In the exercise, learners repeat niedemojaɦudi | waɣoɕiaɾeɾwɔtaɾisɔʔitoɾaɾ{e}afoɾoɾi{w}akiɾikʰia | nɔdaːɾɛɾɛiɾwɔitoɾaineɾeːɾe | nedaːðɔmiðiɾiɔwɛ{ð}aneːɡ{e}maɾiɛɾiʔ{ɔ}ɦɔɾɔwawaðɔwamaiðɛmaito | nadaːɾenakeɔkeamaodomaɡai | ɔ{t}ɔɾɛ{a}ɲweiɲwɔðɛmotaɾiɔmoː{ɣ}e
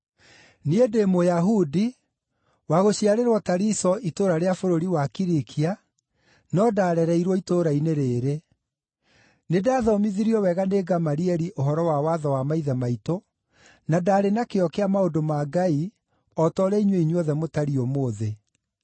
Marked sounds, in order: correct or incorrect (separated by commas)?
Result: correct, correct, incorrect, incorrect, incorrect, correct, incorrect, incorrect